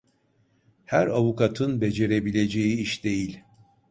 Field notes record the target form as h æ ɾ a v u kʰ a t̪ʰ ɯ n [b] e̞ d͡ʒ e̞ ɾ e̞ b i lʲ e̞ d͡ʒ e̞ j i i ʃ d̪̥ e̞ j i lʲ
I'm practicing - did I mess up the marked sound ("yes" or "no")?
no